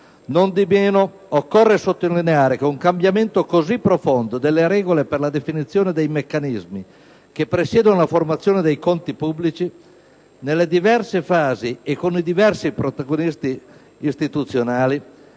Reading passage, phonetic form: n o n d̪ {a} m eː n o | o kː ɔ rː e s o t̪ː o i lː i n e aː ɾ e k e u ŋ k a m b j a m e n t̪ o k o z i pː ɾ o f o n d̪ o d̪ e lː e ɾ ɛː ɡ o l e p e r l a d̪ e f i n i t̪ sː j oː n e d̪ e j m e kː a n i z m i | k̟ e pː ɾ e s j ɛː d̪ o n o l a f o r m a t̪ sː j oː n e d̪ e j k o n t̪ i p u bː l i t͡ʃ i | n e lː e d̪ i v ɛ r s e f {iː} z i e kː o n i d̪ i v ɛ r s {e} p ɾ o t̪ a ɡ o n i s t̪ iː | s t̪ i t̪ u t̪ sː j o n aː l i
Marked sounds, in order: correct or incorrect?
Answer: incorrect, incorrect, incorrect

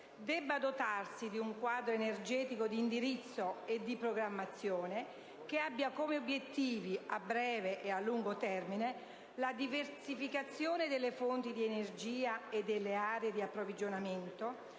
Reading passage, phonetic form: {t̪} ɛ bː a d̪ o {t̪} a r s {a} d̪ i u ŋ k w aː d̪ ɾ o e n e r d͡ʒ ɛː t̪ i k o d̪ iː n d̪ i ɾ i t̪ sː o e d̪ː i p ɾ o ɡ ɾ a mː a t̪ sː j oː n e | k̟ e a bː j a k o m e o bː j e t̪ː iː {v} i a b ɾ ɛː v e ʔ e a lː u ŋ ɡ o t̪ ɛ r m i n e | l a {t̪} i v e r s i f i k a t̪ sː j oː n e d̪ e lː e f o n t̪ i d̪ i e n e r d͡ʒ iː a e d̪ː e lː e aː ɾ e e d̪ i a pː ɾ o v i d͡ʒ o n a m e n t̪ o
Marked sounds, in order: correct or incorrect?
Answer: incorrect, correct, incorrect, correct, incorrect

